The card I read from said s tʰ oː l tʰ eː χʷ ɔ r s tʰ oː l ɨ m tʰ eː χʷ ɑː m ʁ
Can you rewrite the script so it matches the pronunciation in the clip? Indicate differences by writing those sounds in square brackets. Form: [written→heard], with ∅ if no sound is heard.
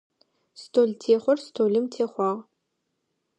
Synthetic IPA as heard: s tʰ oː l tʰ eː χʷ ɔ r s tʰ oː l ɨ m tʰ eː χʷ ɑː [m→∅] ʁ